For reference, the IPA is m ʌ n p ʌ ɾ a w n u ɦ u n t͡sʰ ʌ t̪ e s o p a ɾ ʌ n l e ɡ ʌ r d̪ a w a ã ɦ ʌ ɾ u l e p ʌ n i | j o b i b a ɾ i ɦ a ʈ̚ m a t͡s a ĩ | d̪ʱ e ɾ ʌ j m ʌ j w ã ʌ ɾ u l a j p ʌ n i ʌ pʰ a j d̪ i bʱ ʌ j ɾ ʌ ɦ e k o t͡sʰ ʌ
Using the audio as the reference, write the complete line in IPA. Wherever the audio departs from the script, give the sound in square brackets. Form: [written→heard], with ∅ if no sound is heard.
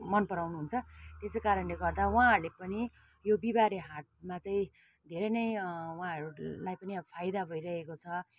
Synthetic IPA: m ʌ n p ʌ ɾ a w n u ɦ u n t͡sʰ ʌ t̪ e s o [p→k] a ɾ ʌ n l e ɡ ʌ r d̪ a w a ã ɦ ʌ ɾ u l e p ʌ n i | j o b i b a ɾ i ɦ a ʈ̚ m a t͡s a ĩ | d̪ʱ e ɾ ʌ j [m→n] ʌ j w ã ʌ ɾ u l a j p ʌ n i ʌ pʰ a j d̪ [i→a] bʱ ʌ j ɾ ʌ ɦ e k o t͡sʰ ʌ